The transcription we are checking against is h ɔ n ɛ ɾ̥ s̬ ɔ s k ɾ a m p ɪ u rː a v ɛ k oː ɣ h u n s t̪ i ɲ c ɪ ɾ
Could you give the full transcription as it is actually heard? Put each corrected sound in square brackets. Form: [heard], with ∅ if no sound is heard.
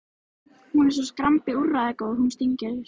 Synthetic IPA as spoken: h [u] n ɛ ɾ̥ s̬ ɔ s k ɾ a m p ɪ u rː a [ð] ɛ k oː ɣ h u n s t̪ i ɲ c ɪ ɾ

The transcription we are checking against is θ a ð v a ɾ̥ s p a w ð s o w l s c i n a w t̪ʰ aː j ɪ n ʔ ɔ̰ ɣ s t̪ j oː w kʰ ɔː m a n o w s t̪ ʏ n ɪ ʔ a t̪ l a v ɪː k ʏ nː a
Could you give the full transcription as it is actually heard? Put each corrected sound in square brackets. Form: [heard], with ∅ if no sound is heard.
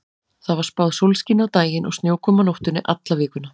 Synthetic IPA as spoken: θ a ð v a ɾ̥ s p a w ð s o w l s c i n a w [t̪] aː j ɪ n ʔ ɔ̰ ɣ s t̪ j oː w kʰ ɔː m a n o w [h] t̪ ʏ n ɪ ʔ a t̪ l a v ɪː k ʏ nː a

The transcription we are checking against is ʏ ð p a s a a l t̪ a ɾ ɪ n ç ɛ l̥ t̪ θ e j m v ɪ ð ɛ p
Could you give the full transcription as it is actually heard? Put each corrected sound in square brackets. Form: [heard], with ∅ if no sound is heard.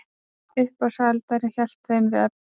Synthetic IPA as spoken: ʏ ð p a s a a l t̪ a ɾ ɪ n ç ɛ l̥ t̪ θ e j m v ɪ ð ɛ p

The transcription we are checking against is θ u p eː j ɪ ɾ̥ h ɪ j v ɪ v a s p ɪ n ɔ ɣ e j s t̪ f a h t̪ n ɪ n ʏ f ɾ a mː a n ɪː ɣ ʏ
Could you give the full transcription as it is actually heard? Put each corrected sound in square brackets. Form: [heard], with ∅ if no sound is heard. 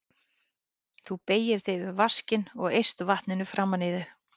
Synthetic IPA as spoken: θ u p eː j ɪ ɾ̥ [θ] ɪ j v ɪ v a s [c] ɪ n ɔ ɣ e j s t̪ [v] a h t̪ n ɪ n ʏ f ɾ a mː a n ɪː [ð] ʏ

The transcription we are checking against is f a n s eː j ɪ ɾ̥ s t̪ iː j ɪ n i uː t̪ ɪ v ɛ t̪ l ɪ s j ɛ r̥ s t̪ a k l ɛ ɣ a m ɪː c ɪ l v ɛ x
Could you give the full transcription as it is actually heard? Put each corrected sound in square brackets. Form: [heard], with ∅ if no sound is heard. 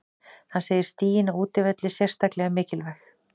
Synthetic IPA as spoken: [h] a n s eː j ɪ ɾ̥ s t̪ iː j ɪ n [a] uː t̪ ɪ v ɛ t̪ l ɪ s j ɛ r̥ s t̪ a k l ɛ ɣ a m ɪː c ɪ l v ɛ x

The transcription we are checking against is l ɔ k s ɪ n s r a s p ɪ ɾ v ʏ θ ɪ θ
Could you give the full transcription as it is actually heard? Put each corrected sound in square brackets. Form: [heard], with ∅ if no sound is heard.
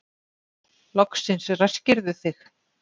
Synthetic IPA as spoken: l ɔ k s ɪ n s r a s [c] ɪ ɾ [ð] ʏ θ ɪ [x]

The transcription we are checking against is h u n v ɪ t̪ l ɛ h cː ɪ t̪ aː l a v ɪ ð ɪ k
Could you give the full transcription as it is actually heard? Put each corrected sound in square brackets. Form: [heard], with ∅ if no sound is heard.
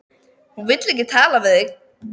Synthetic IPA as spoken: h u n v ɪ t̪ l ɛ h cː ɪ [t̪ʰ] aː l a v ɪ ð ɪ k

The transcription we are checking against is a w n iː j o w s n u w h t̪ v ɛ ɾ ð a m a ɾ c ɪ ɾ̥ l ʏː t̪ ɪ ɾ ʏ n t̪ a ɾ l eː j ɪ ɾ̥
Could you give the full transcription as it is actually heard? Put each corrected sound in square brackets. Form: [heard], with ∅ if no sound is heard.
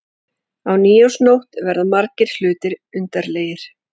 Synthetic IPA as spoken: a w n iː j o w s n [o] w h t̪ v ɛ ɾ ð a m a ɾ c ɪ ɾ̥ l ʏː t̪ ɪ ɾ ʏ n t̪ a ɾ l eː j ɪ ɾ̥

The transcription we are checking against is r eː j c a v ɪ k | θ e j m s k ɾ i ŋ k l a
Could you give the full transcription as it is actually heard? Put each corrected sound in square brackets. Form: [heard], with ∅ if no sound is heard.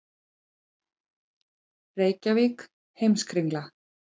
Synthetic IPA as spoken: r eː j c a v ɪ k | [h] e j m s k ɾ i ŋ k l a

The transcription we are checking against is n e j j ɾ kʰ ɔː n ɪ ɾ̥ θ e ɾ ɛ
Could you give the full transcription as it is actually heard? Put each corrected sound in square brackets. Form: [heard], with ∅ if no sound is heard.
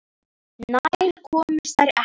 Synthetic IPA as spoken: n [a] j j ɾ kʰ ɔː [m] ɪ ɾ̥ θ [a] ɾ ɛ

